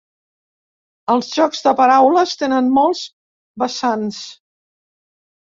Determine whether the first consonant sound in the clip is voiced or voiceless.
voiced